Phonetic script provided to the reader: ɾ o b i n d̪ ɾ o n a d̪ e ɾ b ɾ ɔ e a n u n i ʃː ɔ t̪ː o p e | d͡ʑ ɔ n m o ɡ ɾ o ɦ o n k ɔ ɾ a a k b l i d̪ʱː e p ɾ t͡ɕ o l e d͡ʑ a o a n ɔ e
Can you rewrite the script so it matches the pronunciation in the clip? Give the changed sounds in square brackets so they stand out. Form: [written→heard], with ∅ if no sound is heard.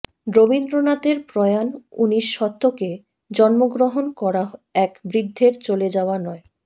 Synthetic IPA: ɾ o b i n d̪ ɾ o n a [d̪→t̪] e ɾ [b→p] ɾ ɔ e a n u n i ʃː ɔ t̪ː o [p→k] e | d͡ʑ ɔ n m o ɡ ɾ o ɦ o n k ɔ ɾ a [a→ɛ] k b [l→ɾ] i d̪ʱː e [p→∅] ɾ t͡ɕ o l e d͡ʑ a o a n ɔ e